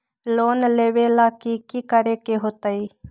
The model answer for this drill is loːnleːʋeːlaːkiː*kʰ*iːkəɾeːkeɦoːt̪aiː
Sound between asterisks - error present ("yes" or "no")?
yes